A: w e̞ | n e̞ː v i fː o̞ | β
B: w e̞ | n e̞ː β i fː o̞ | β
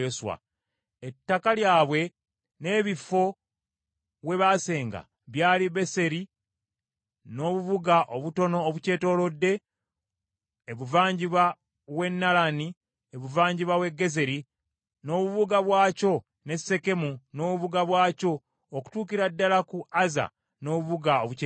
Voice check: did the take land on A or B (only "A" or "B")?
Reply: B